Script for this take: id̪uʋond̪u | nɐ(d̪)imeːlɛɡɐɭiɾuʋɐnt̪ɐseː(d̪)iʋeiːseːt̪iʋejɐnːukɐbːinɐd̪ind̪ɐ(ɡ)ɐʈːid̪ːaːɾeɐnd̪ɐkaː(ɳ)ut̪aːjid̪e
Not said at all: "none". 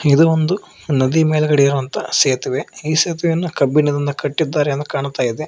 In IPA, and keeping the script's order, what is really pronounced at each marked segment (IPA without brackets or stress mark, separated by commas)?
d̪, t̪, k, ɳ